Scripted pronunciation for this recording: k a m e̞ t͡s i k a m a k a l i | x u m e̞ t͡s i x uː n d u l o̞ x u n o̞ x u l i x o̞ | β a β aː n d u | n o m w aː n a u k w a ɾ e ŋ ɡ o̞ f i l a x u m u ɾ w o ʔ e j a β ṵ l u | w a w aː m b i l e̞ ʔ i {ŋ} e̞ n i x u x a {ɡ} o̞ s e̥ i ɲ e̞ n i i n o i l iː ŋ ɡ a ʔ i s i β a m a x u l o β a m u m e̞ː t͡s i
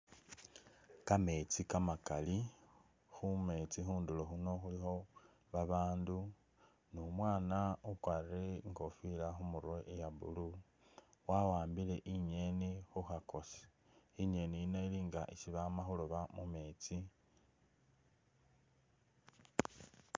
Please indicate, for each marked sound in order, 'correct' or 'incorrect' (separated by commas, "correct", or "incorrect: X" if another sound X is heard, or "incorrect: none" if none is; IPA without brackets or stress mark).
incorrect: ɲ, incorrect: k